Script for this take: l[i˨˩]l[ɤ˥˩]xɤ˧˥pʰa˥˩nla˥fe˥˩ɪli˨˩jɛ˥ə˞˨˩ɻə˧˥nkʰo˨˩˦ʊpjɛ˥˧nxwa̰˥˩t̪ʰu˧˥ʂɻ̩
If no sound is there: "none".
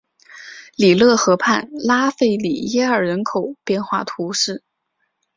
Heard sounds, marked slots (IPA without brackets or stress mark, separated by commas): i˨˩, ɤ˥˩